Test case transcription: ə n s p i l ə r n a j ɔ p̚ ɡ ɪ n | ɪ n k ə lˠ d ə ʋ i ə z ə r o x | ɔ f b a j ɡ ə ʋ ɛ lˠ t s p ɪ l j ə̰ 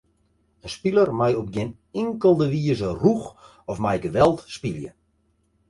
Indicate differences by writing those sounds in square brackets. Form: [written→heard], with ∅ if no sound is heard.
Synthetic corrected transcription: ə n s p i l ə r [n→m] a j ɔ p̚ ɡ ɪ n | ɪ [n→ŋ] k ə lˠ d ə ʋ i ə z ə r [o→u] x | ɔ f [b→m] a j ɡ ə ʋ ɛ lˠ t s p [ɪ→i] l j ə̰